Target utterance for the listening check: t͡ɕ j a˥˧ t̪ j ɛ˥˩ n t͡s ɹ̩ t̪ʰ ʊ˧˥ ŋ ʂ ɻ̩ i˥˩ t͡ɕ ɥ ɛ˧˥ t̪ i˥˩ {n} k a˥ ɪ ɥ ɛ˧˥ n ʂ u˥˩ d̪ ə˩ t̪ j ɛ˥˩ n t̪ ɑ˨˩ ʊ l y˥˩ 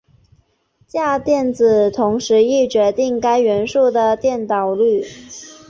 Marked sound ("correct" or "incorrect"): incorrect